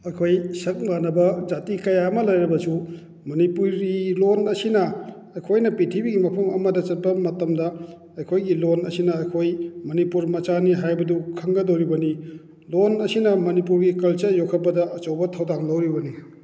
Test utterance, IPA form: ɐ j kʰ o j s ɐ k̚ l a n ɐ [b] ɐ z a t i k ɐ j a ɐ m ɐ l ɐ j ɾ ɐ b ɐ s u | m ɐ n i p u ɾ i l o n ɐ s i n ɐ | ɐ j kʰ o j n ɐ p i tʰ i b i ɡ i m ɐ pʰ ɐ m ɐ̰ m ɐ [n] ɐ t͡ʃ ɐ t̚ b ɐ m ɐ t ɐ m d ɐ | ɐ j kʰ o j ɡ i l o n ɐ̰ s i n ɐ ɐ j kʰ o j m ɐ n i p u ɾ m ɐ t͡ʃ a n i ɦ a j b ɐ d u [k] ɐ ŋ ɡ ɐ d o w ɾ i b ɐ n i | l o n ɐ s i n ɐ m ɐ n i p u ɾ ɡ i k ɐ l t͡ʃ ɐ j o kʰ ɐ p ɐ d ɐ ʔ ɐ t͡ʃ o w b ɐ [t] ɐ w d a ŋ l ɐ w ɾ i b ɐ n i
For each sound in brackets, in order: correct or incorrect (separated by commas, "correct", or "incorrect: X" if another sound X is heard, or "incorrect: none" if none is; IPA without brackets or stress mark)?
correct, incorrect: d, incorrect: kʰ, incorrect: tʰ